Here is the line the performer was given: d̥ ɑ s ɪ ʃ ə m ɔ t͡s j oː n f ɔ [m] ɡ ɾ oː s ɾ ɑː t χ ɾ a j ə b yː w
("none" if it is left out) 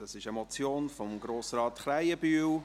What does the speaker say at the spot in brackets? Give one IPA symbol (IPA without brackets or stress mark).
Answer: m